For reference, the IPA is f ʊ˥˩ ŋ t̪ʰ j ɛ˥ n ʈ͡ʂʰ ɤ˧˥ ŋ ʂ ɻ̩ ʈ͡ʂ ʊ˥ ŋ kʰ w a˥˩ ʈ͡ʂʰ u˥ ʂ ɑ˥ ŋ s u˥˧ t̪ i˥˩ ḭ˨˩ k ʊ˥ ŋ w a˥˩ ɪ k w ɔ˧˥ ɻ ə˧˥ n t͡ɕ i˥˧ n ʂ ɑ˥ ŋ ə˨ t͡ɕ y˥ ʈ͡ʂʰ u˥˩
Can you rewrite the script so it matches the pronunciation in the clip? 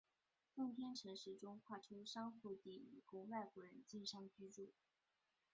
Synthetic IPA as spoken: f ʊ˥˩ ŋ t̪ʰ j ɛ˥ n ʈ͡ʂʰ ɤ˧˥ ŋ ʂ ɻ̩ ʈ͡ʂ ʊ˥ ŋ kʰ w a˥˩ ʈ͡ʂʰ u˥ ʂ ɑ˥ ŋ x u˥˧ t̪ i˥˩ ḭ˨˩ k ʊ˥ ŋ w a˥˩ ɪ k w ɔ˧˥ ɻ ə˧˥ n t͡ɕ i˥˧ n ʂ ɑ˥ ŋ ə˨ t͡ɕ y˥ ʈ͡ʂ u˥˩